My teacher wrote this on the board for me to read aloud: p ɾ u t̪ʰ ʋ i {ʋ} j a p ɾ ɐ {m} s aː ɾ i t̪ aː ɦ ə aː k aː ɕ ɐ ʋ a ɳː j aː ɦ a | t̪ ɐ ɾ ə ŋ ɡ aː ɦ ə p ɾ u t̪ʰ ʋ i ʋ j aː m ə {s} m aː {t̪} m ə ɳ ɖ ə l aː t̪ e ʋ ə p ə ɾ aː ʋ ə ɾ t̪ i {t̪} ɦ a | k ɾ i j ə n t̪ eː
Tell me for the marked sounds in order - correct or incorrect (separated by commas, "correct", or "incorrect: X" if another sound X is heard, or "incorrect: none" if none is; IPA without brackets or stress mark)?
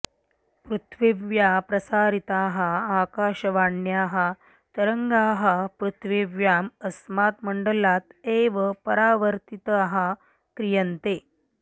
correct, incorrect: none, correct, correct, correct